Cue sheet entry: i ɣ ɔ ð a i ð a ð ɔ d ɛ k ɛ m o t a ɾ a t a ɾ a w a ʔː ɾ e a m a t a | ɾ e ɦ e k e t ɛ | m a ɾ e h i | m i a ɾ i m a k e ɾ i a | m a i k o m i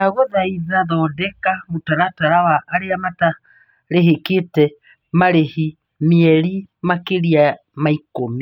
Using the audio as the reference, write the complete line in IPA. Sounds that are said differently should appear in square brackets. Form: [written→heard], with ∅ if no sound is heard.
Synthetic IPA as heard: [i→a] ɣ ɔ ð a i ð a ð ɔ d ɛ k [ɛ→a] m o t a ɾ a t a ɾ a w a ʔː ɾ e a m a t a | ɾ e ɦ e k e t ɛ | m a ɾ e h i | m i [a→ɛ] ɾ i m a k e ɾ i a | m a i k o m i